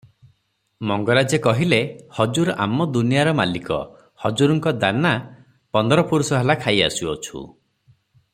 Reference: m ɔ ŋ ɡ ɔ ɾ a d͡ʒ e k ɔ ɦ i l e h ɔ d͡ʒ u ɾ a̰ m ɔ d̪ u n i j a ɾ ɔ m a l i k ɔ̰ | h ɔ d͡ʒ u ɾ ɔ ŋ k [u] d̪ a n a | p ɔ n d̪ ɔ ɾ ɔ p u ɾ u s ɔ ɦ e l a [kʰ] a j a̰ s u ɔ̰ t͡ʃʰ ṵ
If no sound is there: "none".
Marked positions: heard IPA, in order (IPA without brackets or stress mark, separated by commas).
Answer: ɔ, kʰ